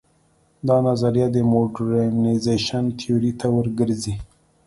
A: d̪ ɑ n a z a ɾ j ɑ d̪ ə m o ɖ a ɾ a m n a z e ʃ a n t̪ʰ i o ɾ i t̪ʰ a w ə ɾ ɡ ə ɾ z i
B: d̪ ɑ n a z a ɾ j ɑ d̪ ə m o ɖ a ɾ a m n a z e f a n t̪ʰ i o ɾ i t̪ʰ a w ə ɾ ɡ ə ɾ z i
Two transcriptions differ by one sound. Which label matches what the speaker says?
A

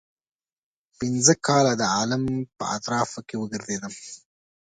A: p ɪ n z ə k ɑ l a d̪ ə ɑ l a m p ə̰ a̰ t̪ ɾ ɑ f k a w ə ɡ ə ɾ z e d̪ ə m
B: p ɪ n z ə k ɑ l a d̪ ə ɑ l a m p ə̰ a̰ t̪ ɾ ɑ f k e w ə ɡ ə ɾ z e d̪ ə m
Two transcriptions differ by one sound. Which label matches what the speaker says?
B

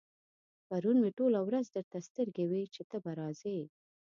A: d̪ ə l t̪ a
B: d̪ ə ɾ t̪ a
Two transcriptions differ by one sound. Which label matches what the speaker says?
B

